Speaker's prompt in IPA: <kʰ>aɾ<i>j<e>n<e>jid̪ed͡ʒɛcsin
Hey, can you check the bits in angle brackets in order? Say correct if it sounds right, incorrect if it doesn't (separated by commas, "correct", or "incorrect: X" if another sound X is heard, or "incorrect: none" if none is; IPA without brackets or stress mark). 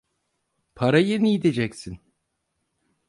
incorrect: pʰ, incorrect: a, correct, incorrect: i